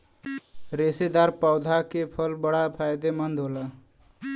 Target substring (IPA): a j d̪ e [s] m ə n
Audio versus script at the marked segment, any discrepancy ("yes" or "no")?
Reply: yes